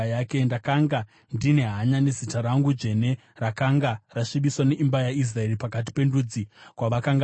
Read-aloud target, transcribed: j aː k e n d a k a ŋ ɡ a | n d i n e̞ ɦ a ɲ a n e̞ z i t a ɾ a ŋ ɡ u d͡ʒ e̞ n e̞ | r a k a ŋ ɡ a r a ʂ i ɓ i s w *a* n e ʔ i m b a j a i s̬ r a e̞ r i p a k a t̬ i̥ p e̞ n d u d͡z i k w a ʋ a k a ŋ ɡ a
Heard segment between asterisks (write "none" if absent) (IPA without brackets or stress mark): a